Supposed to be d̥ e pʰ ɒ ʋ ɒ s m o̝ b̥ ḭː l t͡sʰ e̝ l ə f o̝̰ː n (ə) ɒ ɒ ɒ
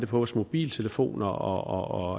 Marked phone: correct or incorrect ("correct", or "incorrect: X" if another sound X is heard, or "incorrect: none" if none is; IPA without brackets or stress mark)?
incorrect: ɐ